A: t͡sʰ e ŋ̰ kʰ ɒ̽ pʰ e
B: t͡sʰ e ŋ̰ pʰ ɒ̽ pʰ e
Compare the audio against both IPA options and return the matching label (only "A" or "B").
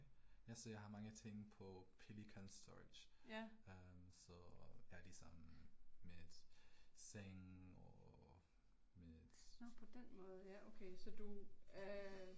B